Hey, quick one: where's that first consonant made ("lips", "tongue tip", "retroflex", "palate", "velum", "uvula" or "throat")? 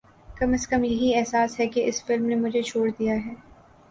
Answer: velum